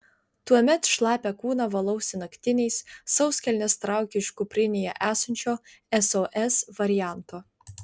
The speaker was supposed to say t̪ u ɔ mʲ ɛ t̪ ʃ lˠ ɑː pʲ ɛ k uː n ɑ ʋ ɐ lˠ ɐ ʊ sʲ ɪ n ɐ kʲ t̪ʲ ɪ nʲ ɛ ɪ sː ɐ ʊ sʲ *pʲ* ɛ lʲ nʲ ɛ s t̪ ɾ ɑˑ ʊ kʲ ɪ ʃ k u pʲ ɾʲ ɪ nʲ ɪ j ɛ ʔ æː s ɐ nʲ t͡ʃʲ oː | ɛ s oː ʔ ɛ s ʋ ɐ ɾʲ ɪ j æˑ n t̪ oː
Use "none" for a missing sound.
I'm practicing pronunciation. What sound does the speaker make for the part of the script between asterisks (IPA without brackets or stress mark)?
kʲ